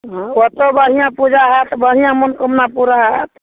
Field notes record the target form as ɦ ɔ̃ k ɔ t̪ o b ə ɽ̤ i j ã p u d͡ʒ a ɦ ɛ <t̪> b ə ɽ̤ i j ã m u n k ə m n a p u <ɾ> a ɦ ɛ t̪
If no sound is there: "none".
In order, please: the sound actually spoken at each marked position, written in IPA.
t̪, ɾ

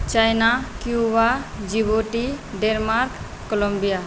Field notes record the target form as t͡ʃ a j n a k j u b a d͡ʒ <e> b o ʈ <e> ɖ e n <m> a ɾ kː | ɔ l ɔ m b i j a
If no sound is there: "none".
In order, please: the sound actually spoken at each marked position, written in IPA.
i, i, m

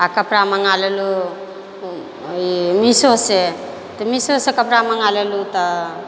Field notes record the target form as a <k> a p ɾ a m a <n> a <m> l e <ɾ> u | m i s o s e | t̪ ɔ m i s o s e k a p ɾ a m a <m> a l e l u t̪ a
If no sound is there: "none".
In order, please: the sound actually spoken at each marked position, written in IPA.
k, ŋ, none, l, ŋ

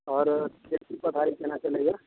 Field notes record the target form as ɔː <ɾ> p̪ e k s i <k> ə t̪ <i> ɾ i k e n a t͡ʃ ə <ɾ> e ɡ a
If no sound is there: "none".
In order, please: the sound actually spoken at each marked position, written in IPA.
ɾ, p, a, l

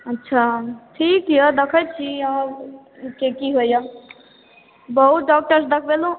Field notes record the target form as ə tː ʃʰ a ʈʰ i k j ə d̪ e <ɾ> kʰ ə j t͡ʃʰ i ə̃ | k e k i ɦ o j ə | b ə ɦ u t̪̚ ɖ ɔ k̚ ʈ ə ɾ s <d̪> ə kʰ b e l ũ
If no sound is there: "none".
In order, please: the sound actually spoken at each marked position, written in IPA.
none, d̪

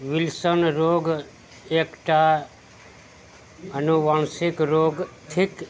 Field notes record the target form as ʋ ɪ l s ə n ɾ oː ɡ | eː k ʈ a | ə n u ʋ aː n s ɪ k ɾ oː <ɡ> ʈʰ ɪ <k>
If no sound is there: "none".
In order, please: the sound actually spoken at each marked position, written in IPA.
ɡ, k

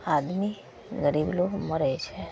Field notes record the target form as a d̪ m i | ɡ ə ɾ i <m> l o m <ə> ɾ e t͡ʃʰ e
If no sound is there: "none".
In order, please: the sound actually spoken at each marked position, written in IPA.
b, ə

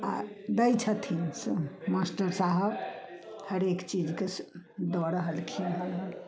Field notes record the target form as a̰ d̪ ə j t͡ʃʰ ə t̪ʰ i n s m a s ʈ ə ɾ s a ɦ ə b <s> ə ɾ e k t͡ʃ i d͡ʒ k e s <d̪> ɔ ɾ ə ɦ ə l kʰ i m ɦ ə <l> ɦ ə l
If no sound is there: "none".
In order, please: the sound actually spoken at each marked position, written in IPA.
h, d̪, l

